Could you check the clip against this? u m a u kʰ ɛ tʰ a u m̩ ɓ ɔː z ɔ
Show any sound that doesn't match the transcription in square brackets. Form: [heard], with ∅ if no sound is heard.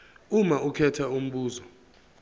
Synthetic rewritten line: u m a u kʰ ɛ tʰ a u m̩ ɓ [uː] z ɔ